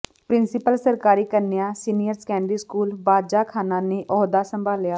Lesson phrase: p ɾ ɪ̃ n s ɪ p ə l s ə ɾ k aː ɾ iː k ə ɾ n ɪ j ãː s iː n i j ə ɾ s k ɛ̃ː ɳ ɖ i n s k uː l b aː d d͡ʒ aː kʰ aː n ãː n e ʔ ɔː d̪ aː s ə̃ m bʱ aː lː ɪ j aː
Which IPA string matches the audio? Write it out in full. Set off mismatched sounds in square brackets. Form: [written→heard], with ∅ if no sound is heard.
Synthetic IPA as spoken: p ɾ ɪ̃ n s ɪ p ə l s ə ɾ k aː ɾ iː k ə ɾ n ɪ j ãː s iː n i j ə ɾ s k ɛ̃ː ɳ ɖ i [n→∅] s k uː l b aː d d͡ʒ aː kʰ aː n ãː n e ʔ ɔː d̪ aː s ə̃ m bʱ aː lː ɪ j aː